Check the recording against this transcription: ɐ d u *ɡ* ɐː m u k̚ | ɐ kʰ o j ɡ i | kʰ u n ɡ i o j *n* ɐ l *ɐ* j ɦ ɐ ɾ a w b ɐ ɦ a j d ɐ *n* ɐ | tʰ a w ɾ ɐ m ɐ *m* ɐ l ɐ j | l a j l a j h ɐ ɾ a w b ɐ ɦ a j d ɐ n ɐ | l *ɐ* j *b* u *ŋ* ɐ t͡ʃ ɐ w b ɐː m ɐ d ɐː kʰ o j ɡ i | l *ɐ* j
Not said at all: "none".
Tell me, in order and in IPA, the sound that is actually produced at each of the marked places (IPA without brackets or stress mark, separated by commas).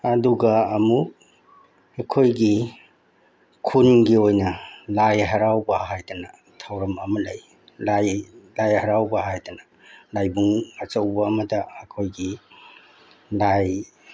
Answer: ɡ, n, a, n, m, a, b, ŋ, a